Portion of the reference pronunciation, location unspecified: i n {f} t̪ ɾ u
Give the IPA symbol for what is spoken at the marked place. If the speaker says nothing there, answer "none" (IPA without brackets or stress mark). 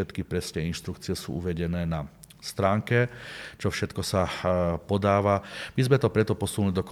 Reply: ʃ